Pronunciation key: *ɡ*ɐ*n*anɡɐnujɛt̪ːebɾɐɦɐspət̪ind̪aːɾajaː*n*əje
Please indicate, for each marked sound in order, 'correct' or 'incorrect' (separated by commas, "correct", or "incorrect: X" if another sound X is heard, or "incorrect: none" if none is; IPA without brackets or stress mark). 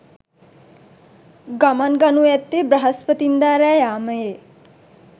correct, incorrect: m, incorrect: m